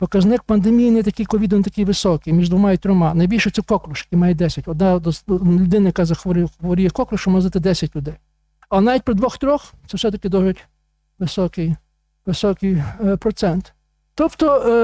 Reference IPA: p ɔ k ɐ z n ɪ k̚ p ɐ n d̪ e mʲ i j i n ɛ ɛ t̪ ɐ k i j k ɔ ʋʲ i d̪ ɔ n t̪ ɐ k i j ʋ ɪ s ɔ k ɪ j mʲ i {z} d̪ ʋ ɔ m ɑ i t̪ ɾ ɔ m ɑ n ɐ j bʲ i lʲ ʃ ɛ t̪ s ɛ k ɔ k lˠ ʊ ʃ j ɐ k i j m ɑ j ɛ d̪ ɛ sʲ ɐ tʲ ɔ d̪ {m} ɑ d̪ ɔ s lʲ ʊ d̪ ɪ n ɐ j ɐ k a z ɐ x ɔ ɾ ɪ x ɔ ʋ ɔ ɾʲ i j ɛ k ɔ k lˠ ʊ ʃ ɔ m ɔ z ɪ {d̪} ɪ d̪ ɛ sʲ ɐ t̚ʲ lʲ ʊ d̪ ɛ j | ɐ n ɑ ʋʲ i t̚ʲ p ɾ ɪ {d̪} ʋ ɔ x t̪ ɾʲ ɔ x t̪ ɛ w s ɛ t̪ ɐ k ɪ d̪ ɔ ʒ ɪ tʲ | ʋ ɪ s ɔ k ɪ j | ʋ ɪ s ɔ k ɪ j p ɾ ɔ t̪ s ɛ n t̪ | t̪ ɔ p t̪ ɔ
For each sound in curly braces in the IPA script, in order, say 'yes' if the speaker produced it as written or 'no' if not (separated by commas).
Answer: no, no, no, yes